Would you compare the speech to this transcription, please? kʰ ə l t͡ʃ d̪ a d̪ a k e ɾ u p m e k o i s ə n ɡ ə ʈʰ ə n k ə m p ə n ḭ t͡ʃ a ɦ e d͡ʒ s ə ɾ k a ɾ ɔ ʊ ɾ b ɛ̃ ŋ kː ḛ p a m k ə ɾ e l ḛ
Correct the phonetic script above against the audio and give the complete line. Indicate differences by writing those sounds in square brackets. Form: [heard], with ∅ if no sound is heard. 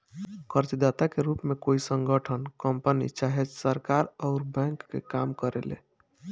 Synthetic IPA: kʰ ə [ɾ] t͡ʃ d̪ a [t̪] a k e ɾ u p m e k o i s ə [ŋ] ɡ ə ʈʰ ə n k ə m p ə n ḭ t͡ʃ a ɦ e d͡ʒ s ə ɾ k a ɾ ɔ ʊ ɾ b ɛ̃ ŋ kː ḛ [k] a m k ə ɾ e l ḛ